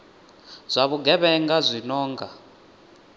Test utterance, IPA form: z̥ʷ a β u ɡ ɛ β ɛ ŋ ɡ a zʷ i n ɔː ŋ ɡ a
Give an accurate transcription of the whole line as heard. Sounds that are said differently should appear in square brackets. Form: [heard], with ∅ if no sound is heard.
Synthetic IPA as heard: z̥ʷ a β u ɡ ɛ β ɛ ŋ ɡ a zʷ i n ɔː ŋ ɡ a